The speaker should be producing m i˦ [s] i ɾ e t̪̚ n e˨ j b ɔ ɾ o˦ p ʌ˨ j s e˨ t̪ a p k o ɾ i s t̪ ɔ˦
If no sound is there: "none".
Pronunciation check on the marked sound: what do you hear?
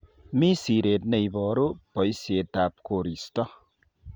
s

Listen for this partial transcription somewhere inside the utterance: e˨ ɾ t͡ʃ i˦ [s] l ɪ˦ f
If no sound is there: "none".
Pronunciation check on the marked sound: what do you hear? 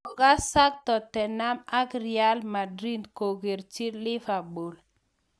none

